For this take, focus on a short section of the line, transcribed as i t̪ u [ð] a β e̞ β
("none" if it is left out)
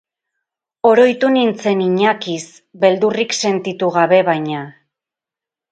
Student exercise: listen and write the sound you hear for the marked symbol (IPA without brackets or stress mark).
ɣ